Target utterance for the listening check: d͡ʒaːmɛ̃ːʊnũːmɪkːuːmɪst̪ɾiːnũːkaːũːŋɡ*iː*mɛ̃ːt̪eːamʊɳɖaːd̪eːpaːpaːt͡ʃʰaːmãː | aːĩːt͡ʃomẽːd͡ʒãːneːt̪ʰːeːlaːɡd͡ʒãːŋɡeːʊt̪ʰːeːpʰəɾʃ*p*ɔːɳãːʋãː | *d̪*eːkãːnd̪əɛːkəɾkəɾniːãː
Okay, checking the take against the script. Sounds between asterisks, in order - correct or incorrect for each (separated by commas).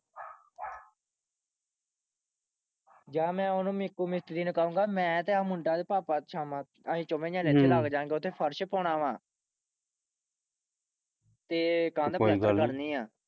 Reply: incorrect, correct, incorrect